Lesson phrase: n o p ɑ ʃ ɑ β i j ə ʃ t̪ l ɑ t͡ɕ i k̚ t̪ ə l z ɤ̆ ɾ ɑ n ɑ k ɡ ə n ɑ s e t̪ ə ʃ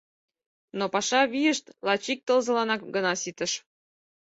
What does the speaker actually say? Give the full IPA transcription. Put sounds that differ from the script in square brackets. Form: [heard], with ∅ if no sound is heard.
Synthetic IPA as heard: n o p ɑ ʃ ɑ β i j ə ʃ t̪ l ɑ t͡ɕ i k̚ t̪ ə l z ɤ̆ [l] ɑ n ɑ k ɡ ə n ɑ s [i] t̪ ə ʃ

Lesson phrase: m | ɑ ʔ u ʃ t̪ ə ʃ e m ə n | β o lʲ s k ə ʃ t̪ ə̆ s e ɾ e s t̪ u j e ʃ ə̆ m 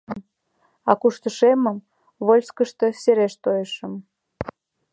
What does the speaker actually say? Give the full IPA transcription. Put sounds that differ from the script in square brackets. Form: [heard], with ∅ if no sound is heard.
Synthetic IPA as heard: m | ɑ [k] u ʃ t̪ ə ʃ e m ə [m] | β o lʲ s k ə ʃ t̪ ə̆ s e ɾ e [ʃ] t̪ [o] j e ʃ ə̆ m

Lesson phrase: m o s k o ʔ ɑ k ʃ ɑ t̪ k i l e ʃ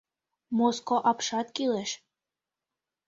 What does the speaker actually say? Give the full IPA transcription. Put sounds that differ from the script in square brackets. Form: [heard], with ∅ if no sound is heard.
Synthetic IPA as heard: m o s k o ʔ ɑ [p] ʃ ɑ t̪ k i l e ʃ

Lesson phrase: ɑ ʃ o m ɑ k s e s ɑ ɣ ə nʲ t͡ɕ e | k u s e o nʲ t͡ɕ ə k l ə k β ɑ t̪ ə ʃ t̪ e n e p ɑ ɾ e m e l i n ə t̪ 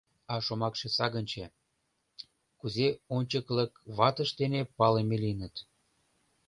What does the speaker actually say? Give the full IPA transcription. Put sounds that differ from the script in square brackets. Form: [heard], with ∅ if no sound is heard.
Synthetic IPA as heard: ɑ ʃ o m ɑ k [ʃ] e s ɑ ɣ ə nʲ t͡ɕ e | k u [z] e o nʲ t͡ɕ ə k l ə k β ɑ t̪ ə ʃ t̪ e n e p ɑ [l] e m e l i n ə t̪

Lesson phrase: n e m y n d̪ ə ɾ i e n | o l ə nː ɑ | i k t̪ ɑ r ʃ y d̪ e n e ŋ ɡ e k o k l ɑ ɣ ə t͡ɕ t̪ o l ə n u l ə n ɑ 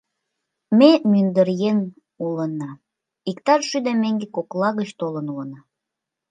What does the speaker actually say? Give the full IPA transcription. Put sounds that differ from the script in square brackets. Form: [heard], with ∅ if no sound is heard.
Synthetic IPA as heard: [m] e m y n d̪ ə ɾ [j] e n | [u] l ə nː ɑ | i k t̪ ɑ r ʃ y d̪ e [m] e ŋ ɡ e k o k l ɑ ɣ ə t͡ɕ t̪ o l ə n u l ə n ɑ

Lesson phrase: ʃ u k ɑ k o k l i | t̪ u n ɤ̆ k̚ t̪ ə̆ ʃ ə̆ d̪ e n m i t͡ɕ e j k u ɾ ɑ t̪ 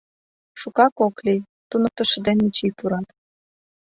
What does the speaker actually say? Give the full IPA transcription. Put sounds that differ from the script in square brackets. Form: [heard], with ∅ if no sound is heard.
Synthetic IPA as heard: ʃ u k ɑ k o k l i | t̪ u n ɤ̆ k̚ t̪ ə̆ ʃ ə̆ d̪ e n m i t͡ɕ [i] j [p] u ɾ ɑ t̪

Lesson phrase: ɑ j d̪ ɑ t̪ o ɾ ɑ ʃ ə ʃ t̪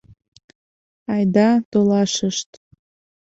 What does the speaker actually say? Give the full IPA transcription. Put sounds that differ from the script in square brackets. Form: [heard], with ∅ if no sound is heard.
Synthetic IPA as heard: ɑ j d̪ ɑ t̪ o [l] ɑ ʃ ə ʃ t̪

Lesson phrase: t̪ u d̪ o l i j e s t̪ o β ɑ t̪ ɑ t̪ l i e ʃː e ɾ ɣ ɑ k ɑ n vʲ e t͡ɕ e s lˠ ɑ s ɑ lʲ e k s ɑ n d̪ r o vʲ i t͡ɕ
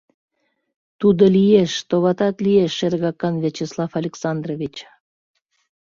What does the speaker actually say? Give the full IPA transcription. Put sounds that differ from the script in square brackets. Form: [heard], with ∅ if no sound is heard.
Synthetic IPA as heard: t̪ u d̪ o l i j e [ʃ] t̪ o β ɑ t̪ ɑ t̪ l i e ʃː e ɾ ɣ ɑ k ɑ n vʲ e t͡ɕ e s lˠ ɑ [f] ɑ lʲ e k s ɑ n d̪ r o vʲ i t͡ɕ

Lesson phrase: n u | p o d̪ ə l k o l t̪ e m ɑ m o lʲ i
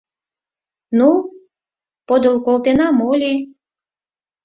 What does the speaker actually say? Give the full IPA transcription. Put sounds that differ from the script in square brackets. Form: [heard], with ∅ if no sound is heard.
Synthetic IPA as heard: n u | p o d̪ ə l k o l t̪ e [n] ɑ m o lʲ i

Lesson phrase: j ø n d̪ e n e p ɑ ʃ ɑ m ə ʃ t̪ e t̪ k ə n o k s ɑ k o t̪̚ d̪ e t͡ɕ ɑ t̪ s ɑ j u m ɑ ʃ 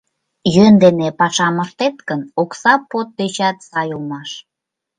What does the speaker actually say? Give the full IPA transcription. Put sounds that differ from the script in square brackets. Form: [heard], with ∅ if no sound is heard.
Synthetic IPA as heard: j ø n d̪ e n e p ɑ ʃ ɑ m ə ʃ t̪ e t̪ k ə n o k s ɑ [p] o t̪̚ d̪ e t͡ɕ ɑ t̪ s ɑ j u m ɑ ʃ

